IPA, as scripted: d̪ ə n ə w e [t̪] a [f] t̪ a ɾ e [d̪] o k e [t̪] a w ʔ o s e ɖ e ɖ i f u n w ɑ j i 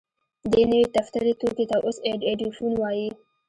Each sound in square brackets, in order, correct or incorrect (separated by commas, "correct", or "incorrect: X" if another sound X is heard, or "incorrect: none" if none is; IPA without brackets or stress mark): correct, correct, incorrect: t̪, correct